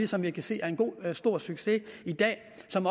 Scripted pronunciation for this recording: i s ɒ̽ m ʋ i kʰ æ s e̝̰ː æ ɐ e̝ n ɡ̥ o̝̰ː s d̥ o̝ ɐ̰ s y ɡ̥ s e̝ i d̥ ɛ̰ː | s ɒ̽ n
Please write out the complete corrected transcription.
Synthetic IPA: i s ɒ̽ m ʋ i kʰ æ s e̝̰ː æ ɐ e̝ n ɡ̥ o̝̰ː s d̥ o̝ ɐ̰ s y ɡ̥ s e̝ i d̥ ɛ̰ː | s ɒ̽ m